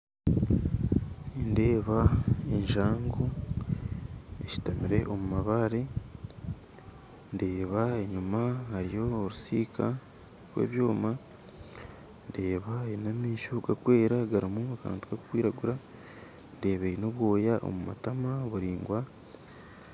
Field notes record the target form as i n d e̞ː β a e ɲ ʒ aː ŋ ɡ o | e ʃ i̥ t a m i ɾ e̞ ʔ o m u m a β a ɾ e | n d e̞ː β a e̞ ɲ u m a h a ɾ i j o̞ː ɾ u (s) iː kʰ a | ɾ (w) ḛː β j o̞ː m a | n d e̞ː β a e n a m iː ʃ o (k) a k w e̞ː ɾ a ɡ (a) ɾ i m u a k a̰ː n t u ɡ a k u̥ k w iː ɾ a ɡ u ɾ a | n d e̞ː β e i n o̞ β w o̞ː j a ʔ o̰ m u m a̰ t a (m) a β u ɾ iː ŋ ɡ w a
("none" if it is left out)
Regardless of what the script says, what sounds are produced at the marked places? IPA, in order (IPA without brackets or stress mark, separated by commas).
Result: s, w, ɡ, a, m